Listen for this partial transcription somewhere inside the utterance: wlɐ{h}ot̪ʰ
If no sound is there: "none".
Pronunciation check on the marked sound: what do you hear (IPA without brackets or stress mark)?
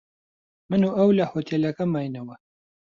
h